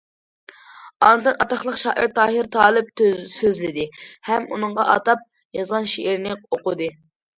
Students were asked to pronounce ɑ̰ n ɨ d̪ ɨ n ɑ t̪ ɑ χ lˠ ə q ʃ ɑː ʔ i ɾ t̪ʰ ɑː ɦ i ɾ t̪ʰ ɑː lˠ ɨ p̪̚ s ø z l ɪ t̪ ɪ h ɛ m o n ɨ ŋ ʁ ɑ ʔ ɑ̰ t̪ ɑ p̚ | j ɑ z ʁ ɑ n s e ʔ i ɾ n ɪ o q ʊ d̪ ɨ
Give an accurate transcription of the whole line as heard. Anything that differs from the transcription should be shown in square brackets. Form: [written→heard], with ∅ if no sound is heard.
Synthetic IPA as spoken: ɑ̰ n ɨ d̪ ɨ n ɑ t̪ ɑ χ lˠ ə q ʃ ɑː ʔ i ɾ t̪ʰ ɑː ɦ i ɾ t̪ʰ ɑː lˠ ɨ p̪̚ s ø z l ɪ [t̪→d̪] ɪ h ɛ m [o→u] n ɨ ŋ ʁ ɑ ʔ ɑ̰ t̪ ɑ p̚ | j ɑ z ʁ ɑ n [s→ʃ] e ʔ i ɾ n ɪ o q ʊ d̪ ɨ